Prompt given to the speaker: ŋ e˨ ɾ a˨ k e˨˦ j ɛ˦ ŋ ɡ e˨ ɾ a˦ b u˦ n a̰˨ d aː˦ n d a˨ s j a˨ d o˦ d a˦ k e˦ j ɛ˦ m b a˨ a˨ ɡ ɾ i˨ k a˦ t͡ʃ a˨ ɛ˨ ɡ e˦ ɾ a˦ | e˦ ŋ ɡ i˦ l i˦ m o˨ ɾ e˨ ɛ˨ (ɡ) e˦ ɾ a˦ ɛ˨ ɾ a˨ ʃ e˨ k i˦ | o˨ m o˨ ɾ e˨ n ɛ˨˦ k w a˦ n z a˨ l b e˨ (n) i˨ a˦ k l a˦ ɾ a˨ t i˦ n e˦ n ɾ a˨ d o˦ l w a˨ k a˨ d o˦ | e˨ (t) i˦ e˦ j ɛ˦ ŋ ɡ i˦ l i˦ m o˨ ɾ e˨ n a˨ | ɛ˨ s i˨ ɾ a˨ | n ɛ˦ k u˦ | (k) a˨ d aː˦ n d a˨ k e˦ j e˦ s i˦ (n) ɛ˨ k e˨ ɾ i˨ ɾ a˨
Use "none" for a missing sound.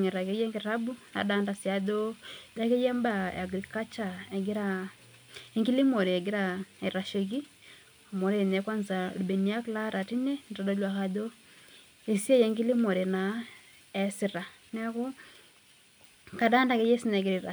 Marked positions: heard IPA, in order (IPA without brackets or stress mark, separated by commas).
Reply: ɡ, n, s, k, n